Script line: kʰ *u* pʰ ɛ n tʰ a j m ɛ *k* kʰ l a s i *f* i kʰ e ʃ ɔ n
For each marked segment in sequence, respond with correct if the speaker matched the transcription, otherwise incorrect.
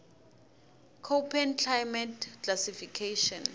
incorrect: o, incorrect: t, correct

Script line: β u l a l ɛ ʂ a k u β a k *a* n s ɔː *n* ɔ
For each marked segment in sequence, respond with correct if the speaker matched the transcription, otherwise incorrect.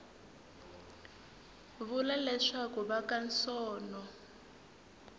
correct, correct

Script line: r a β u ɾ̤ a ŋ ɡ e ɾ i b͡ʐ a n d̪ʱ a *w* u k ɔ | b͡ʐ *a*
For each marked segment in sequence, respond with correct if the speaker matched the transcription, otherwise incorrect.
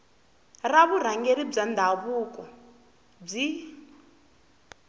incorrect: β, incorrect: i

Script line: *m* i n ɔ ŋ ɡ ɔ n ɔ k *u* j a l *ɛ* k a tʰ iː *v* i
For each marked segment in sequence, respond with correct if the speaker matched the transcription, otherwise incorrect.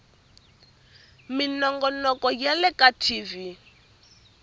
correct, incorrect: ɔ, correct, correct

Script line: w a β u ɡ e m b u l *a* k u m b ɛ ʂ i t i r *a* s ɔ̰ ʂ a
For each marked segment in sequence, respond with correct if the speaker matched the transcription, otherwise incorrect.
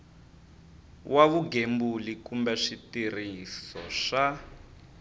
incorrect: i, incorrect: i

